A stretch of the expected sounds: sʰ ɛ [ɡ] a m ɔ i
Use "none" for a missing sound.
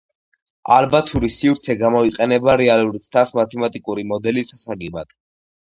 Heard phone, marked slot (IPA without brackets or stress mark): ɡ